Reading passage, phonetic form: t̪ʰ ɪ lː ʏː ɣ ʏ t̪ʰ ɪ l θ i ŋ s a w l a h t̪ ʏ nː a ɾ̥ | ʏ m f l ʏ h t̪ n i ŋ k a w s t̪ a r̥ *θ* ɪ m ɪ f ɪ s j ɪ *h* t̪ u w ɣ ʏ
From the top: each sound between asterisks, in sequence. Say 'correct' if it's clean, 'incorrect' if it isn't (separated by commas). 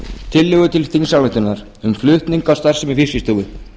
incorrect, incorrect